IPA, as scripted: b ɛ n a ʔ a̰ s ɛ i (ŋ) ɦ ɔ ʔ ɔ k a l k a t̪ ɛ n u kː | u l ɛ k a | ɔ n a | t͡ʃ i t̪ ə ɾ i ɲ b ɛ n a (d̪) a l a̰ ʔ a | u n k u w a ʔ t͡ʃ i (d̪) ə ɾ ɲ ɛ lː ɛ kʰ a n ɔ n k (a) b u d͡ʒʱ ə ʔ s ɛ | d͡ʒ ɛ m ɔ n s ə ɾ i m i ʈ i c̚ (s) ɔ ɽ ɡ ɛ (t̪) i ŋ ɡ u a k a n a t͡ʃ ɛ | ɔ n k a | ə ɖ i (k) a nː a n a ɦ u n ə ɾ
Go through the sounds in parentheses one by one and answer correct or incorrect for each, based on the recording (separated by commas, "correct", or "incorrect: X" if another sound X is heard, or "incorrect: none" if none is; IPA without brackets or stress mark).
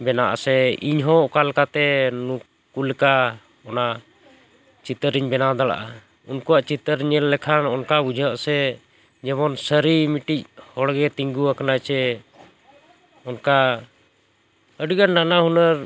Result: incorrect: ɲ, correct, incorrect: t̪, correct, incorrect: h, correct, incorrect: ɡ